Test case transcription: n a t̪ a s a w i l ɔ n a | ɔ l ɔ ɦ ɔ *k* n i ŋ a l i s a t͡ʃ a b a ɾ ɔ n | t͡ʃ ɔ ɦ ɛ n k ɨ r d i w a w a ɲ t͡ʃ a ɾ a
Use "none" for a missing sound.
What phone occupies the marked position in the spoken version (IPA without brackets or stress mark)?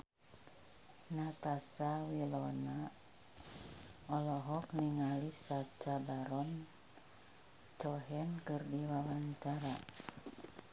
k